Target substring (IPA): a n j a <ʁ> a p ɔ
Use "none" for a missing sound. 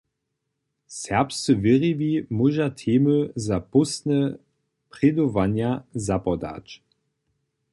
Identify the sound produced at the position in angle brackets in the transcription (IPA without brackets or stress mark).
z